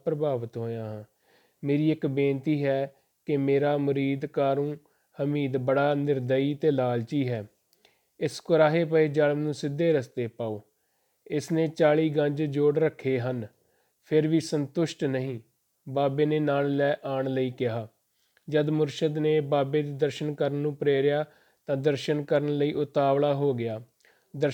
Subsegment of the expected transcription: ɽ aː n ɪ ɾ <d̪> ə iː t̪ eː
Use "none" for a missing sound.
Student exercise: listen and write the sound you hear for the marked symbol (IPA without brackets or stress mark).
d̪